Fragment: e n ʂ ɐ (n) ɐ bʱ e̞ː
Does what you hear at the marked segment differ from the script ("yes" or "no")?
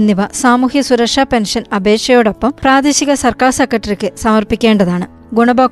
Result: no